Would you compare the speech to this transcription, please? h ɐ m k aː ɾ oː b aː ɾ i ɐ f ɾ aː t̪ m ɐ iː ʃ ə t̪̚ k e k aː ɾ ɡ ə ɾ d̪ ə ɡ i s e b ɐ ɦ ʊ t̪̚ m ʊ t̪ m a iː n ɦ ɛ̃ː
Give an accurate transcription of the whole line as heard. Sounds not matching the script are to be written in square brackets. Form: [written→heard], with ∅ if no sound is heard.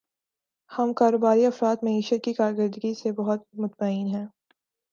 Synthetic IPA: h ɐ m k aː ɾ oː b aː ɾ i ɐ f ɾ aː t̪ m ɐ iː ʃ ə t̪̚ k [e→i] k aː ɾ ɡ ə ɾ d̪ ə ɡ i s e b ɐ ɦ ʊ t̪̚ m ʊ t̪ m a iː n ɦ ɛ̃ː